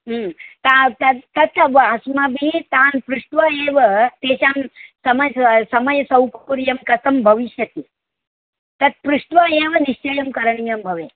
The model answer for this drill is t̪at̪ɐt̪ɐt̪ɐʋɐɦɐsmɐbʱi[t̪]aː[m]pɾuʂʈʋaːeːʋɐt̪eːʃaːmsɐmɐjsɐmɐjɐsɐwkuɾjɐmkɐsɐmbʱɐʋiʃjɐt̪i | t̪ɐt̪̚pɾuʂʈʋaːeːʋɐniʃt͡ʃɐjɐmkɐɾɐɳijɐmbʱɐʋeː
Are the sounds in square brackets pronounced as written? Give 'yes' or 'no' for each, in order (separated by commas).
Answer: yes, no